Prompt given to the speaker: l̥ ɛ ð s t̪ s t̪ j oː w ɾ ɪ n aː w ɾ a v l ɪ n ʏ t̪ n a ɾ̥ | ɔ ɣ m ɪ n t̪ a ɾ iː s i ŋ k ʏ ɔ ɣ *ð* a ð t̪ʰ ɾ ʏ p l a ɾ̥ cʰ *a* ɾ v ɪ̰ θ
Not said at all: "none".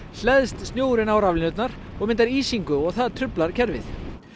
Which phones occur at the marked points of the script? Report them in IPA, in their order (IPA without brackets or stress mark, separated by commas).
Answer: θ, ɛ